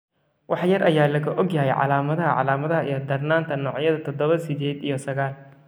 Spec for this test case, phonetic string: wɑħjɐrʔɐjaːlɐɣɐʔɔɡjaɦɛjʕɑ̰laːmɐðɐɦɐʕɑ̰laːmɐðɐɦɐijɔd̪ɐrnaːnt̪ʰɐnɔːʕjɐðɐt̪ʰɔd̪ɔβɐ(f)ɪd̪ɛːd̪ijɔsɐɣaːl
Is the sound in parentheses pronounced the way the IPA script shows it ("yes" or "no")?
no